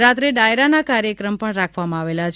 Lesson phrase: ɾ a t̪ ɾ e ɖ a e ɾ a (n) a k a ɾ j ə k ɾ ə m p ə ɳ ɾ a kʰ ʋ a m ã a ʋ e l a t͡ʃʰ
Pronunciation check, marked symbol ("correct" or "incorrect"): correct